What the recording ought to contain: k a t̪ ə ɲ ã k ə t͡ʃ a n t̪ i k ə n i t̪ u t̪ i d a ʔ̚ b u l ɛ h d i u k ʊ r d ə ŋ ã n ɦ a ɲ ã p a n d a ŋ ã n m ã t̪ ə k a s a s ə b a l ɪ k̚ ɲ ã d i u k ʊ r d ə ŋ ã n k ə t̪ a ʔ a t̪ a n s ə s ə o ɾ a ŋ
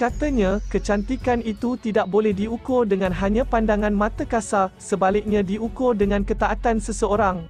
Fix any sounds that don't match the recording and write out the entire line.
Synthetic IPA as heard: k a t̪ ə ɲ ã k ə t͡ʃ a n t̪ i k a n i t̪ u t̪ i d a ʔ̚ b o l ɛ h d i u k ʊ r d ə ŋ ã n ɦ a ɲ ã p a n d a ŋ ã n m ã t̪ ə k a s a s ə b a l ɪ k̚ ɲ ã d i u k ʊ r d ə ŋ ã n k ə t̪ a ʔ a t̪ a n s ə s ə o ɾ a ŋ